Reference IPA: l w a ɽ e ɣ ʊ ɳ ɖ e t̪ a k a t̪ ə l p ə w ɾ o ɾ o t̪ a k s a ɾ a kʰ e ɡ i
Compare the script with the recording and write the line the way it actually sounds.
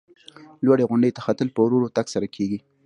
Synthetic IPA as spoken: l w a ɽ e ɣ ʊ ɳ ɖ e t̪ a x a t̪ ə l p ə w ɾ o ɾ o t̪ a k s a ɾ a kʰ e ɡ i